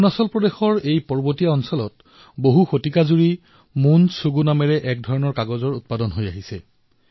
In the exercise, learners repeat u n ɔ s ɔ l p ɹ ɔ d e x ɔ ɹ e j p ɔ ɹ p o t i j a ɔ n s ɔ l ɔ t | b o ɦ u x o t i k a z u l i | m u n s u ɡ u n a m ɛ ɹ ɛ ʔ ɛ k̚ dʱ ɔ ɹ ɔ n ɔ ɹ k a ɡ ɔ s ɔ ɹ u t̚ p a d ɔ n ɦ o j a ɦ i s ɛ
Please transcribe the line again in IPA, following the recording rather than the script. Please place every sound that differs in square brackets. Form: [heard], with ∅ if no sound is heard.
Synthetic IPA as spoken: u n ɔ s ɔ l p ɹ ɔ d e x ɔ ɹ e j p ɔ ɹ [b] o t i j a ɔ n s ɔ l ɔ t | b o ɦ u x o t i k a z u [ɹ] i | m u n s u ɡ u n a m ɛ ɹ ɛ ʔ ɛ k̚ dʱ ɔ ɹ ɔ n ɔ ɹ k a ɡ ɔ [z] ɔ ɹ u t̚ p a d ɔ n ɦ o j a ɦ i s ɛ